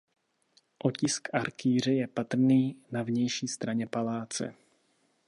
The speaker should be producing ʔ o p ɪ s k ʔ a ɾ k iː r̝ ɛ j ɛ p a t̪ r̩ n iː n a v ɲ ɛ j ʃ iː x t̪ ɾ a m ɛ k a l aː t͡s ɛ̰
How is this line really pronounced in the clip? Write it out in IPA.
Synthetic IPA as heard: ʔ o c ɪ s k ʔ a ɾ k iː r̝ ɛ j ɛ p a t̪ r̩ n iː n a v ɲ ɛ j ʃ iː s t̪ ɾ a ɲ ɛ p a l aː t͡s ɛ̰